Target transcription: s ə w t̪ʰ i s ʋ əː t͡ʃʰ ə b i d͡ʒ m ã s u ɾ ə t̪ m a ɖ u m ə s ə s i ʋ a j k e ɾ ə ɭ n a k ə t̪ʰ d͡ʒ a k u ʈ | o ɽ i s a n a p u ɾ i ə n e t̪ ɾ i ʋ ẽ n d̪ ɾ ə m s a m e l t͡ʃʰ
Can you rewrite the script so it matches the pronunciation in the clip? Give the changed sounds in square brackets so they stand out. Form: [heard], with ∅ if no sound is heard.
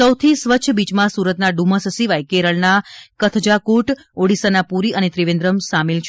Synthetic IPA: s ə w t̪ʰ i s ʋ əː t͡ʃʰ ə b i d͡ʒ m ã s u ɾ ə t̪ [n] a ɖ u m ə s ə s i ʋ a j k e ɾ ə ɭ n a k ə t̪ʰ d͡ʒ a k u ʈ | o ɽ i s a n a p u ɾ i ə n e t̪ ɾ i ʋ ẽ n d̪ ɾ ə m s a m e l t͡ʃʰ